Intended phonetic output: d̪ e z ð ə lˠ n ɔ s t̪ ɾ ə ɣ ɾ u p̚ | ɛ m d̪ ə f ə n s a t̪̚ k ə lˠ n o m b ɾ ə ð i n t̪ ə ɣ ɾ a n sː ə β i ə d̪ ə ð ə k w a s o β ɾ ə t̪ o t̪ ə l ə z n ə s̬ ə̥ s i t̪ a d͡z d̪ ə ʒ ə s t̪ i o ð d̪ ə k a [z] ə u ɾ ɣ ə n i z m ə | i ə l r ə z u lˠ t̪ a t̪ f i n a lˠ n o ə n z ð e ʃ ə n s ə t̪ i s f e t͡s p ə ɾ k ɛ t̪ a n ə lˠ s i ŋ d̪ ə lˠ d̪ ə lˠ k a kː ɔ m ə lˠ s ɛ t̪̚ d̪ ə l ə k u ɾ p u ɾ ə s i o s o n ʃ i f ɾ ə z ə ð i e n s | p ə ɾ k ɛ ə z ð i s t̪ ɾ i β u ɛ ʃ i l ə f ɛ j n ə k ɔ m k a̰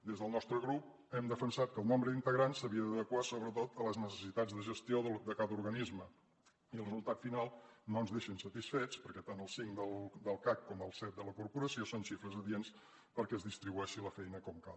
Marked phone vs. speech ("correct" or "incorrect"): incorrect